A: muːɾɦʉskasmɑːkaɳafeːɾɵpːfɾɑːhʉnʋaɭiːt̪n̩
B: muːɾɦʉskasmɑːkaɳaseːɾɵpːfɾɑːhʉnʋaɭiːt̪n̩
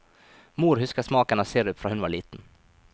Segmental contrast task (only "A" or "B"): B